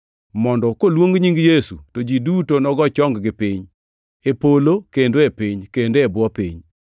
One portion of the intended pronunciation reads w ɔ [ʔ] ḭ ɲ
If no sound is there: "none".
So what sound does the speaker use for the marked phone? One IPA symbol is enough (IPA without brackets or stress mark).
p